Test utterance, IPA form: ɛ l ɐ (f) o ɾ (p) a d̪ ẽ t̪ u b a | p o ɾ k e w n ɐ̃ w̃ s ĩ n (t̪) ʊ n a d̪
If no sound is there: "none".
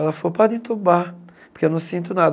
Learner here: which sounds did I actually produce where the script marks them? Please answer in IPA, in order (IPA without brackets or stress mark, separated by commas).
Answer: f, p, t̪